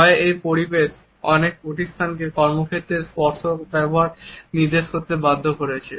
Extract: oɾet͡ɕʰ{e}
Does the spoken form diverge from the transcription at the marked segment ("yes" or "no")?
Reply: no